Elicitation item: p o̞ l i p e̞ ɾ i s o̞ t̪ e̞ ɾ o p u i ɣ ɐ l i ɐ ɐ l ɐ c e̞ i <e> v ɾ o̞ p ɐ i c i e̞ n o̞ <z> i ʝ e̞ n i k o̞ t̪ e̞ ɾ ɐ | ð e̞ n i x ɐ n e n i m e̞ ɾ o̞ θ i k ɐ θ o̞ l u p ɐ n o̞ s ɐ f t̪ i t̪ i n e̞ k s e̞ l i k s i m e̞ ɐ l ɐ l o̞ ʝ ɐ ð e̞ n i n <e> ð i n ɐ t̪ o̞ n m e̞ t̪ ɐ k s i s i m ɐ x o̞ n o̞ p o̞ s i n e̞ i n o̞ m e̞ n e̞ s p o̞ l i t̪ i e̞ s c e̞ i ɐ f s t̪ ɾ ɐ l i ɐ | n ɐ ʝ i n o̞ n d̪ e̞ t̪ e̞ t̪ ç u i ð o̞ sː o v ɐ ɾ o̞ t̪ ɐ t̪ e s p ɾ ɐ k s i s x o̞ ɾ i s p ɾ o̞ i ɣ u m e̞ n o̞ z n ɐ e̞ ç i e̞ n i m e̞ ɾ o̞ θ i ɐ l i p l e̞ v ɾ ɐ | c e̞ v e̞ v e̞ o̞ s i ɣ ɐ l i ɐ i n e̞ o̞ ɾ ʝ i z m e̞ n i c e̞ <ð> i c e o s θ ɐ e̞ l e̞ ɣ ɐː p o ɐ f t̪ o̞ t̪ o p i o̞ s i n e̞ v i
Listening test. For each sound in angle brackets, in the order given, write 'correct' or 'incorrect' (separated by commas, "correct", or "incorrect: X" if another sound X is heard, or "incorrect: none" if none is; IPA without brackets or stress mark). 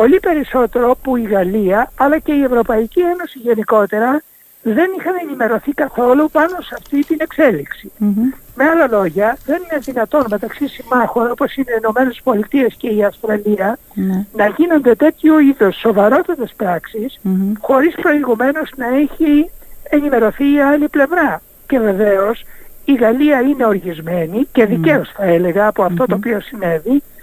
correct, incorrect: s, correct, correct